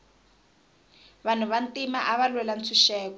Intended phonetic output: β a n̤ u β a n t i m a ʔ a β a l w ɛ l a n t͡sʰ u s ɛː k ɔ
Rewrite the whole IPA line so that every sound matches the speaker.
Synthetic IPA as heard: β a n̤ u β a n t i m a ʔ a β a l w ɛ l a n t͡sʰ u ʃ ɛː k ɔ